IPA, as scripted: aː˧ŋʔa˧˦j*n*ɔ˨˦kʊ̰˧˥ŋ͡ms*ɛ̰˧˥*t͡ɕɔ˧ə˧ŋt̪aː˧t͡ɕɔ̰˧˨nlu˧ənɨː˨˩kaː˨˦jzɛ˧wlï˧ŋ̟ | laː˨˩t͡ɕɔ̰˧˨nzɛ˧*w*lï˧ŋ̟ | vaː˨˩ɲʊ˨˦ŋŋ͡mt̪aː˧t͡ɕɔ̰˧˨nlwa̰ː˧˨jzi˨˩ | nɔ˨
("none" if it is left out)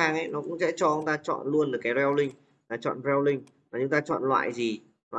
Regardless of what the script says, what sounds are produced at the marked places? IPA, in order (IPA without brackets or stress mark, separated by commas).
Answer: n, ɛ̰˧˥, w